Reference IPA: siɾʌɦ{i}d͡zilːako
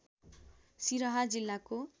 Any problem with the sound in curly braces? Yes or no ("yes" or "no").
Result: yes